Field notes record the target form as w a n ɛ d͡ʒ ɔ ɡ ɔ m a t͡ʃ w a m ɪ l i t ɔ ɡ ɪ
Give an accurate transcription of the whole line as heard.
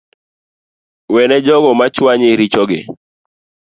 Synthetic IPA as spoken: w ɛ n ɛ d͡ʒ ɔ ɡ ɔ m a t͡ʃ w a ɲ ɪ ɾ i t͡ʃ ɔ ɡ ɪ

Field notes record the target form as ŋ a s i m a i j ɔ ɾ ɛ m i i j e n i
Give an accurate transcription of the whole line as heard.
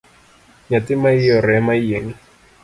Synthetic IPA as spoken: ɲ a t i m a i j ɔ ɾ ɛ m a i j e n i

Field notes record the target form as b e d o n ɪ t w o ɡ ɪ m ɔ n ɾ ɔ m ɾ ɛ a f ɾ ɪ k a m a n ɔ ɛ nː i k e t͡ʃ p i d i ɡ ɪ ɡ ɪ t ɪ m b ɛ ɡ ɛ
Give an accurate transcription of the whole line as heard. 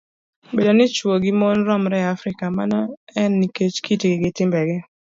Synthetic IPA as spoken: b e d o n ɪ t͡ʃ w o ɡ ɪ m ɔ n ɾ ɔ m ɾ ɛ a f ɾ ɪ k a m a n ɔ ɛ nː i k e t͡ʃ k i t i ɡ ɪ ɡ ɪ t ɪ m b ɛ ɡ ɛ

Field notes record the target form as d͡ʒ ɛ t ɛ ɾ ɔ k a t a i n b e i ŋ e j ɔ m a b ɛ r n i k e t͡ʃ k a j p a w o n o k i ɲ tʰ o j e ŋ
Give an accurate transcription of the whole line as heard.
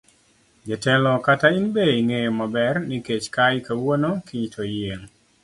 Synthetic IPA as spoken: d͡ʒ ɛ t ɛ l ɔ k a t a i n b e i ŋ e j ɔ m a b ɛ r n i k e t͡ʃ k a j k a w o n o k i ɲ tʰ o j e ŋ

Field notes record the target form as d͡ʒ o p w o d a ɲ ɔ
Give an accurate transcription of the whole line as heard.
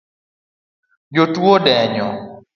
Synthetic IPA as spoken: d͡ʒ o t w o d ɛ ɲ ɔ

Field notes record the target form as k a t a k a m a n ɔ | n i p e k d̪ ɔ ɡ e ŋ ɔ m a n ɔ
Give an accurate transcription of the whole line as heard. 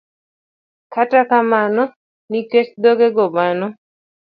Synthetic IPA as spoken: k a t a k a m a n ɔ | n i k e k d̪ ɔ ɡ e ɡ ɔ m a n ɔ

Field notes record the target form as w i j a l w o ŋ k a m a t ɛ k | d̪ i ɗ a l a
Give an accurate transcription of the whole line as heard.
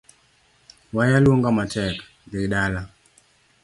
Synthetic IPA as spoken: w a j a l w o ŋ ɡ a m a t ɛ k | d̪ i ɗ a l a

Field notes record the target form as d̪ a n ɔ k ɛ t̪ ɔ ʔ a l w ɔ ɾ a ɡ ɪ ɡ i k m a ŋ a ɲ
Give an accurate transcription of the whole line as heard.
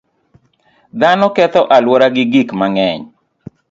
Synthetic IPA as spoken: d̪ a n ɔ k ɛ t̪ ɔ ʔ a l w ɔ ɾ a ɡ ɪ ɡ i k m a ŋ ɛ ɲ

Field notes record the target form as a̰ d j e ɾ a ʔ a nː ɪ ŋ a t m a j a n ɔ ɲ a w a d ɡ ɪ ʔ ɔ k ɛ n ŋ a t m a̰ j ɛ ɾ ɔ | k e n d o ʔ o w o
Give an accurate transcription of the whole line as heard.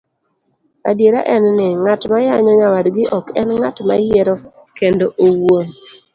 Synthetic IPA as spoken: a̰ d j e ɾ a ʔ ɛ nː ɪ ŋ a t m a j a ɲ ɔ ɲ a w a d ɡ ɪ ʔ ɔ k ɛ n ŋ a t m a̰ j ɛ ɾ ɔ | k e n d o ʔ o w o

